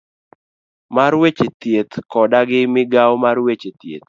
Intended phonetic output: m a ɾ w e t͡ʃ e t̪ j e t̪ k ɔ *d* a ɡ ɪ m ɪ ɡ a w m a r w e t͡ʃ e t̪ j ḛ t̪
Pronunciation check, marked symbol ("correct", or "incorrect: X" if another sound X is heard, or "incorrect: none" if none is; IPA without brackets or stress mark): correct